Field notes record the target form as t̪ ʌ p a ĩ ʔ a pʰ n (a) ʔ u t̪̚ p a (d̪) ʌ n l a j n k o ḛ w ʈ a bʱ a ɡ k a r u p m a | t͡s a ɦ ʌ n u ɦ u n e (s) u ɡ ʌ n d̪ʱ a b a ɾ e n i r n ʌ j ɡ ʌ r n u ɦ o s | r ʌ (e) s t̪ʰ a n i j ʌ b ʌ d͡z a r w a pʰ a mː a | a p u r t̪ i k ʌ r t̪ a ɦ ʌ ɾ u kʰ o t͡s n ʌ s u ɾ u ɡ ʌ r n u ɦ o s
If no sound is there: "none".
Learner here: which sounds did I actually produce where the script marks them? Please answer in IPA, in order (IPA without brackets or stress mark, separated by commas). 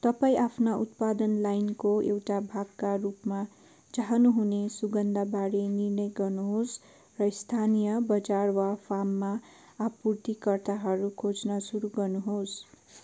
a, d̪, s, i